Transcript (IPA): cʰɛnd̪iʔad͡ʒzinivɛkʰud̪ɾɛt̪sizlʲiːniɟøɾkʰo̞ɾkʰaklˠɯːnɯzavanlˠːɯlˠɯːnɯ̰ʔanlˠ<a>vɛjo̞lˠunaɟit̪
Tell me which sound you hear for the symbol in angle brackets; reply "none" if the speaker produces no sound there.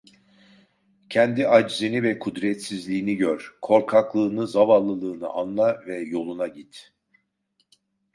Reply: a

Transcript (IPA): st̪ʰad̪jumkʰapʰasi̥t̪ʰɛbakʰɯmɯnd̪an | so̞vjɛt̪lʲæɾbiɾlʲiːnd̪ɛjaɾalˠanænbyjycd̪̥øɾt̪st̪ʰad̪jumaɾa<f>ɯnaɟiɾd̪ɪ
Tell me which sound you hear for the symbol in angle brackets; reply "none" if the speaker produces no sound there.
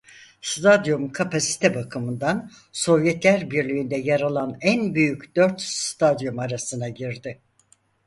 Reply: s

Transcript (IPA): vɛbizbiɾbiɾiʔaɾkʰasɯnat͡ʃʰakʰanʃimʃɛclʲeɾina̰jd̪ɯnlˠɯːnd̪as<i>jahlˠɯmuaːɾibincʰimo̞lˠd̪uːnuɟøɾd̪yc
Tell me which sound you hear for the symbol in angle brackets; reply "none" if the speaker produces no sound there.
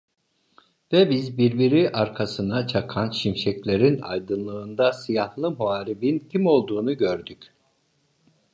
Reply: i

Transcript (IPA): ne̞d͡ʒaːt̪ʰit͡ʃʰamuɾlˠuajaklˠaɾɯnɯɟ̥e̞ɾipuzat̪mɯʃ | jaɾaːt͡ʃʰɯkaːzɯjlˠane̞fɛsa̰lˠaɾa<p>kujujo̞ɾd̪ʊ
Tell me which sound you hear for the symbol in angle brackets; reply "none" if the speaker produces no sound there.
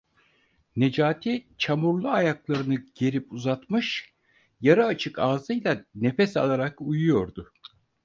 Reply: none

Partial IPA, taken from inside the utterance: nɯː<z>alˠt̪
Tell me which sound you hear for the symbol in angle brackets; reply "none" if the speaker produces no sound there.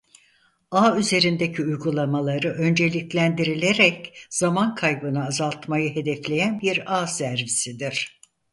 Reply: z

